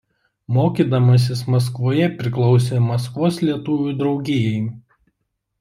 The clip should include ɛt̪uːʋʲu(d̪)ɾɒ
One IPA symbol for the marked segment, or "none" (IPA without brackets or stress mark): d̪